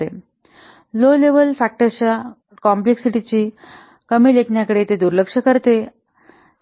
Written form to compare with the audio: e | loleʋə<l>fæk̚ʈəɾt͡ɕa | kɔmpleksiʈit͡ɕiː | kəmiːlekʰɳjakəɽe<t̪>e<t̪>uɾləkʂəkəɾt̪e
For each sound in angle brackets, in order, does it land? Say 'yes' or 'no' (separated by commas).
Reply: yes, yes, no